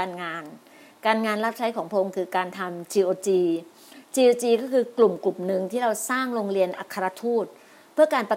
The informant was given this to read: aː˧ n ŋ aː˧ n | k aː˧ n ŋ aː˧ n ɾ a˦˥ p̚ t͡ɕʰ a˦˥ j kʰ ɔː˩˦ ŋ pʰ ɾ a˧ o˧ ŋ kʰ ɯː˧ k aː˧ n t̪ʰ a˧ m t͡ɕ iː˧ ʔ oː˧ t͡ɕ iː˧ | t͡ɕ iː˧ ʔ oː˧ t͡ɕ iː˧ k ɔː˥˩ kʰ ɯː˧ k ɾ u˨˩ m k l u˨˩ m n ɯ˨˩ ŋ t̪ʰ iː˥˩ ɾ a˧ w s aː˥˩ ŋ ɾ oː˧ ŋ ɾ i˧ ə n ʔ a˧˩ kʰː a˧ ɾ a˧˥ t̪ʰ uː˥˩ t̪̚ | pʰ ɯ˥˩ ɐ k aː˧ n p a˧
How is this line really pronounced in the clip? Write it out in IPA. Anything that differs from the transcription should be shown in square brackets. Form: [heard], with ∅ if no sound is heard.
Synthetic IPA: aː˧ n ŋ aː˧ n | k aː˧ n ŋ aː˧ n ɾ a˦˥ p̚ t͡ɕʰ a˦˥ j kʰ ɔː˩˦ ŋ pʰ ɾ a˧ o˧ ŋ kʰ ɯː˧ k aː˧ n t̪ʰ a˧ m t͡ɕ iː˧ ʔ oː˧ t͡ɕ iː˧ | t͡ɕ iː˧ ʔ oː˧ t͡ɕ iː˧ k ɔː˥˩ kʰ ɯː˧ k [l] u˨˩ m k l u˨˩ m n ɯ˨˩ ŋ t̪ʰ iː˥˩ ɾ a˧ w s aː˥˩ ŋ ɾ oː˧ ŋ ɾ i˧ ə n ʔ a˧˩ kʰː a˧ ɾ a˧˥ t̪ʰ uː˥˩ t̪̚ | pʰ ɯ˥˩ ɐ k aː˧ n p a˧